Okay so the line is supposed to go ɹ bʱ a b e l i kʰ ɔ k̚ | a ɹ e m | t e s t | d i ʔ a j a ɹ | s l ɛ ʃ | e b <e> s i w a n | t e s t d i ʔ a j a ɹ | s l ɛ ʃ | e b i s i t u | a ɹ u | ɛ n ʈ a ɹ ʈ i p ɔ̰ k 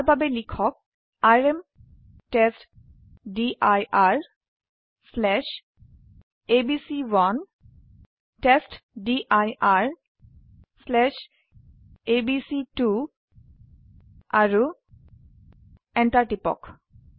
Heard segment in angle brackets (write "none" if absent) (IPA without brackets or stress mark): i